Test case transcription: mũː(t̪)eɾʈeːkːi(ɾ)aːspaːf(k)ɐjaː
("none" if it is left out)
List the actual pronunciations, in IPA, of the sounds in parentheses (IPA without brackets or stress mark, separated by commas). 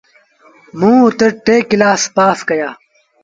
t̪, l, k